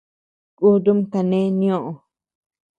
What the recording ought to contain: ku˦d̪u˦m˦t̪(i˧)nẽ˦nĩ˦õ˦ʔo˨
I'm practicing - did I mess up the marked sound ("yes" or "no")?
yes